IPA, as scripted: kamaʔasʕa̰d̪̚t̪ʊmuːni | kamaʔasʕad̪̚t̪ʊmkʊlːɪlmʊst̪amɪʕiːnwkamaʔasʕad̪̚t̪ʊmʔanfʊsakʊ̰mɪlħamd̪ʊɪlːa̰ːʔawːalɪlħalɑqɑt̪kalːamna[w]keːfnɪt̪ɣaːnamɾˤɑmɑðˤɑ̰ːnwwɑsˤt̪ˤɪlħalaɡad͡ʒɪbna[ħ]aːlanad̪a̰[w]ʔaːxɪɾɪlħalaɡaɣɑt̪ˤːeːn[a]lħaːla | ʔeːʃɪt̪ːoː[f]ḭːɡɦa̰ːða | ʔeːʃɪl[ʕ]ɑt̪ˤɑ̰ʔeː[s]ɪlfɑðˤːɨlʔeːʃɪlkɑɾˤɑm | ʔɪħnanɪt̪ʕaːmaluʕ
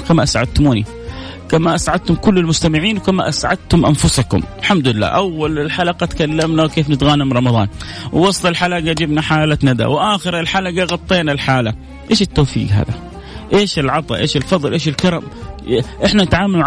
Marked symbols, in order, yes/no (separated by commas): yes, yes, yes, yes, yes, yes, no